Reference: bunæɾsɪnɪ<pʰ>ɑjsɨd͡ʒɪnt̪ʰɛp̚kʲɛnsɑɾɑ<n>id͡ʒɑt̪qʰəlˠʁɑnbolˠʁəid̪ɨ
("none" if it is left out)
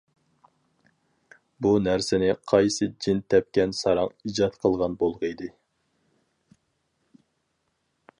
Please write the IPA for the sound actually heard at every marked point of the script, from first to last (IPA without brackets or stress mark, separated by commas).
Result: qʰ, ŋ